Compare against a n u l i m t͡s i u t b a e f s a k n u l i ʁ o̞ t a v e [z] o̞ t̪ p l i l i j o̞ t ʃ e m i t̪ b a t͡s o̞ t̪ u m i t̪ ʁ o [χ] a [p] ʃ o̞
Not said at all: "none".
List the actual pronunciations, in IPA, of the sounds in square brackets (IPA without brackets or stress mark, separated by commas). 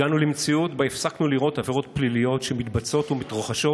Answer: ʁ, χ, none